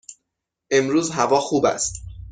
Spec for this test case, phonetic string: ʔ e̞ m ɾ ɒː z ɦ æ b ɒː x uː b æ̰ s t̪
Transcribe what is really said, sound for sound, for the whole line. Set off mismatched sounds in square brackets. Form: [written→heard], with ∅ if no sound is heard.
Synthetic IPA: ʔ e̞ m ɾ [ɒː→uː] z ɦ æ [b→v] ɒː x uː b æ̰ s t̪